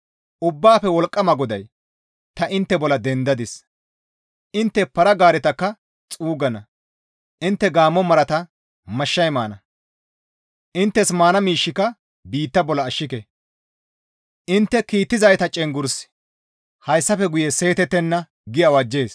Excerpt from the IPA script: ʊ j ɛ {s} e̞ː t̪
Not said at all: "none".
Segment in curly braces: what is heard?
s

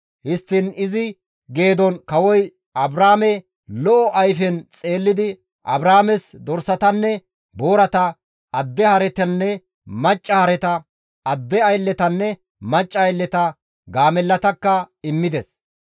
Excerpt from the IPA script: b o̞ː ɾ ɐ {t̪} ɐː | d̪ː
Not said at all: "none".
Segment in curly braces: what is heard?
t̪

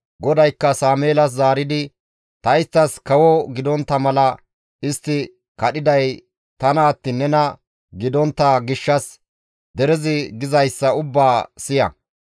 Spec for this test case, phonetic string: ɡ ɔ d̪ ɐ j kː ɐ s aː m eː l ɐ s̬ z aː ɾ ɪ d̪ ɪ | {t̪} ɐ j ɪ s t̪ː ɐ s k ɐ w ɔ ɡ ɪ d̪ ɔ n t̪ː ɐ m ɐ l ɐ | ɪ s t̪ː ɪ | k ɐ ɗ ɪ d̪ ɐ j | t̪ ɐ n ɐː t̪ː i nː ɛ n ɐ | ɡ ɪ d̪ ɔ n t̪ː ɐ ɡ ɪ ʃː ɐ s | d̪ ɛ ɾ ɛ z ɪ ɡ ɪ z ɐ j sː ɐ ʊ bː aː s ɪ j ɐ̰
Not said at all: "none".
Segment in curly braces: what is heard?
t̪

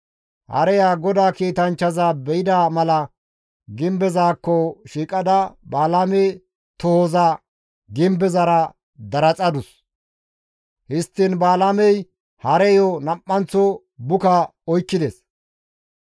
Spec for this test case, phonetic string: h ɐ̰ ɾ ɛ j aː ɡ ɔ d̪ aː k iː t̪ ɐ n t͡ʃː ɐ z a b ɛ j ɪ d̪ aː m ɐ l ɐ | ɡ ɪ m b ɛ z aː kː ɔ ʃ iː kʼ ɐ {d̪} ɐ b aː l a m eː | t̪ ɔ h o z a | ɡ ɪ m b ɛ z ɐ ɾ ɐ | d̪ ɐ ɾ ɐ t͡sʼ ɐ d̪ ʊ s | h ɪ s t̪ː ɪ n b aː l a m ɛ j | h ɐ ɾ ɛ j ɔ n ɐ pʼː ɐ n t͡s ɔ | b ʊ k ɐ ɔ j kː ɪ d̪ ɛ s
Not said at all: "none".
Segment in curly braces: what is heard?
d̪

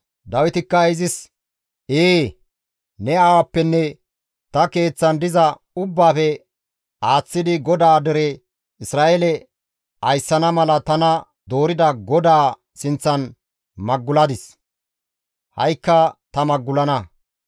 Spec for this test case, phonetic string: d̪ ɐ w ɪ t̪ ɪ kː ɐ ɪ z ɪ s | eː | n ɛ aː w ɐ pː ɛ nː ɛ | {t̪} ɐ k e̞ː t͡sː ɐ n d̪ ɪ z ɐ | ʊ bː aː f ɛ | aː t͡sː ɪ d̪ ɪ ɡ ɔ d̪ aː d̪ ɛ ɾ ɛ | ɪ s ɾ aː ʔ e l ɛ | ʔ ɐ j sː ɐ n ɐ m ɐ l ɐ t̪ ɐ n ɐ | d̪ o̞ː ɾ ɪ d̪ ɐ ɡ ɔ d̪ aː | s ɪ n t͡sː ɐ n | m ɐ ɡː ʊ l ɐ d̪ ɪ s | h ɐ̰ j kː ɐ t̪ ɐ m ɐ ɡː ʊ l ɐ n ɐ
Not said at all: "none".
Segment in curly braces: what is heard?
t̪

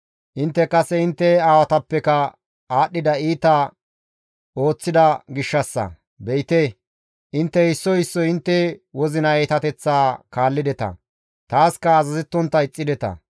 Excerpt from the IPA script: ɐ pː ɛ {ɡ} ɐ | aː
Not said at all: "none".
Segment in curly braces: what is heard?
k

